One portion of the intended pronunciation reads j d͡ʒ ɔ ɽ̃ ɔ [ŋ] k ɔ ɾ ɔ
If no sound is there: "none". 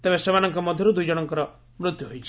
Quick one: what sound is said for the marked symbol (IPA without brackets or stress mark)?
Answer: ŋ